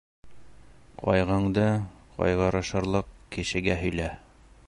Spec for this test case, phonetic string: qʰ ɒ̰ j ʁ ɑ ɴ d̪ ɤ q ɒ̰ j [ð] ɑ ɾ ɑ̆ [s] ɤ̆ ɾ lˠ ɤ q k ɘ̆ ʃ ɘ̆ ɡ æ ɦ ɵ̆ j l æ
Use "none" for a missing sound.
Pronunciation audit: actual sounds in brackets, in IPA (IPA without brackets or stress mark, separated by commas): ʁ, ʃ